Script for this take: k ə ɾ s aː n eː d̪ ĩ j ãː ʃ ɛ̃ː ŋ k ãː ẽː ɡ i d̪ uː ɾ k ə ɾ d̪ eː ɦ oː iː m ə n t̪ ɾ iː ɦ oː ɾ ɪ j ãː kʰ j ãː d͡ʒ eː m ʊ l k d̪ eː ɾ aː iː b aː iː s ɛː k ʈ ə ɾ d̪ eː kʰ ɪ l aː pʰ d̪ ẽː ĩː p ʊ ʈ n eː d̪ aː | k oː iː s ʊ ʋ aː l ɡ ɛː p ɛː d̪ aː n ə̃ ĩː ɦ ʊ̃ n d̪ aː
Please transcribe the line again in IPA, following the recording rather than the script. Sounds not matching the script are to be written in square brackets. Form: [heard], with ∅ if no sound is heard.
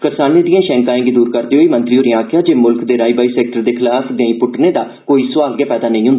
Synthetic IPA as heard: k ə ɾ s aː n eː d̪ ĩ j ãː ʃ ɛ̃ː ŋ k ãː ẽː ɡ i d̪ uː ɾ k ə ɾ d̪ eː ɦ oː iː m ə n t̪ ɾ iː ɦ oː ɾ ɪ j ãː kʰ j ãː d͡ʒ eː m ʊ l k d̪ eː ɾ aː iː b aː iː s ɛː k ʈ ə ɾ d̪ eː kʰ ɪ l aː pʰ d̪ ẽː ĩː p ʊ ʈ n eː d̪ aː | k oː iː s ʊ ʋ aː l ɡ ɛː p ɛː d̪ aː n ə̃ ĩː ɦ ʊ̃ n d̪ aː